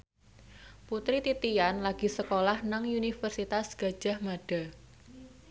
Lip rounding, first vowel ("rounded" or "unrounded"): rounded